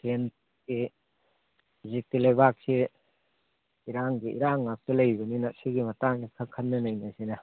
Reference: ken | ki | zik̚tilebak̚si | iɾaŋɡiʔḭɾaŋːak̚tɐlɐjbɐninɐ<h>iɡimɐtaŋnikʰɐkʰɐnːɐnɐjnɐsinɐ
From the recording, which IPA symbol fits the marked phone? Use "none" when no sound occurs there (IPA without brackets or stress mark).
s